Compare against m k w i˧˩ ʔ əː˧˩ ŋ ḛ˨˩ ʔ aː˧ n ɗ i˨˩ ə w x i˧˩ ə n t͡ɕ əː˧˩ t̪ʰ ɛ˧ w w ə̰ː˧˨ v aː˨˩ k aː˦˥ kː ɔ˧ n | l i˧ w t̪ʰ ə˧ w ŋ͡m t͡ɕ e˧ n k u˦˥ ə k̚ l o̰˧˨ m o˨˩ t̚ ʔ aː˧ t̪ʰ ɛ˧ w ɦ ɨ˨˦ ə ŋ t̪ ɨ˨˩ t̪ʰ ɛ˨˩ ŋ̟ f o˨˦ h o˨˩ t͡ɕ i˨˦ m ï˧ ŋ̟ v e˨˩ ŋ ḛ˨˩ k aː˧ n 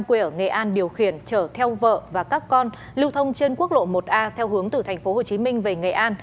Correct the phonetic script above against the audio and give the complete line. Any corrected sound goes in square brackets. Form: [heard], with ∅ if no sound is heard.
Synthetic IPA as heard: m k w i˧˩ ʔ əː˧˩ ŋ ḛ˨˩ ʔ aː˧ n ɗ i˨˩ ə w x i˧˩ ə n t͡ɕ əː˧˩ t̪ʰ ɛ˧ w [v] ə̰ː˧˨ v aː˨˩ k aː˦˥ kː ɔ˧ n | l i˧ w t̪ʰ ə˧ w ŋ͡m t͡ɕ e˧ n k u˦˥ ə k̚ l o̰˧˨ m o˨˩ t̚ ʔ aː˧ t̪ʰ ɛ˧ w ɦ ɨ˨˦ ə ŋ t̪ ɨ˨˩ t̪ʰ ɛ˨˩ ŋ̟ f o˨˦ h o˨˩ t͡ɕ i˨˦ m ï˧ ŋ̟ v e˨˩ ŋ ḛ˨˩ [ʔ] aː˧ n